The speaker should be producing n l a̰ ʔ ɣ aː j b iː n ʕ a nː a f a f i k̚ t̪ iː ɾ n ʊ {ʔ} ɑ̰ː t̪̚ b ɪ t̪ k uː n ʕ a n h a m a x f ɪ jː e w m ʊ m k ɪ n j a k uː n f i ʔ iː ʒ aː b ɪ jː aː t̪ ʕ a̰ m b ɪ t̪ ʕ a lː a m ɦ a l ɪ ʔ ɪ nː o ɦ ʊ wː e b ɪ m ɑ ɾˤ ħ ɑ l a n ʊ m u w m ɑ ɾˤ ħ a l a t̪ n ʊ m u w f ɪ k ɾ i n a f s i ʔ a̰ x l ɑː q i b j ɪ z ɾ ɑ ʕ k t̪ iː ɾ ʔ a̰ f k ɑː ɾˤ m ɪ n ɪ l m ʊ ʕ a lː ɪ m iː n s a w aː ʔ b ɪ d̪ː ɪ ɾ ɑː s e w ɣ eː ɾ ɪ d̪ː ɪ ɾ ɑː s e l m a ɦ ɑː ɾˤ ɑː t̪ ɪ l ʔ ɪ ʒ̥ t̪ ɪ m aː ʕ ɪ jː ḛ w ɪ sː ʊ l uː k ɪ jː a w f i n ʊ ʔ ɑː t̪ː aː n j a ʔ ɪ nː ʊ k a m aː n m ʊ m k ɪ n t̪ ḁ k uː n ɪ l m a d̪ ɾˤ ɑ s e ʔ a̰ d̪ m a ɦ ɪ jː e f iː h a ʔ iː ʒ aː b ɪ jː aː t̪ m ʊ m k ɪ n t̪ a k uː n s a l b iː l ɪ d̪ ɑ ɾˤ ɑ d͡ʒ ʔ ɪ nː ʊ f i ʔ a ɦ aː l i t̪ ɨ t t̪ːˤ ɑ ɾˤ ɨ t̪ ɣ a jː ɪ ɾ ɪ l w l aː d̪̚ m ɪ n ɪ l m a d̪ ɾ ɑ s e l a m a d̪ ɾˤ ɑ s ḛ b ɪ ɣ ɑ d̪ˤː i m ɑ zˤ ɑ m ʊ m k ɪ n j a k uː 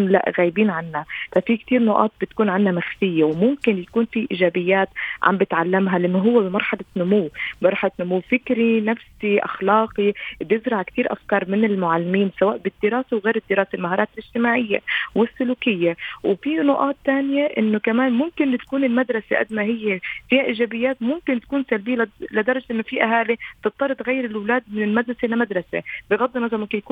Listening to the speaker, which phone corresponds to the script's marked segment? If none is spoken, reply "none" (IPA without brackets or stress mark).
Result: ʔ